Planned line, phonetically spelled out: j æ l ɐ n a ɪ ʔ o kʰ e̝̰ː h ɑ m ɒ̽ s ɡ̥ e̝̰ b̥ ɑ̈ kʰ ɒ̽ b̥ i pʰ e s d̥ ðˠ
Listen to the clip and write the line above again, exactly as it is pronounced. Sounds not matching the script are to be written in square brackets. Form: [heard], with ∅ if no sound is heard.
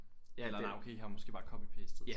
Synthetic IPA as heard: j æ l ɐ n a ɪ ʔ o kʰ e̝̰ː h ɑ m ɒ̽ s ɡ̥ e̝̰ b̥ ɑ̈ kʰ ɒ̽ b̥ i pʰ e s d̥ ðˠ